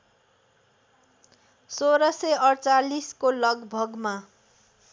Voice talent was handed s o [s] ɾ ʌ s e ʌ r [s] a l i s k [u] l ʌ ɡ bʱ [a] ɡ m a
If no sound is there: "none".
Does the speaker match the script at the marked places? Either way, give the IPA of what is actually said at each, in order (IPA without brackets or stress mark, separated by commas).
none, t͡s, o, ʌ